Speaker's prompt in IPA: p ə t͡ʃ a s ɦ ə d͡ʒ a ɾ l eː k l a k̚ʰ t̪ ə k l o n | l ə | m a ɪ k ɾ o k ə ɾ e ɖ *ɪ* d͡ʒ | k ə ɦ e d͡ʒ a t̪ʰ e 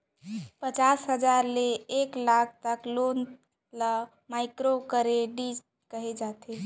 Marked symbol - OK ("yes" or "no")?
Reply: no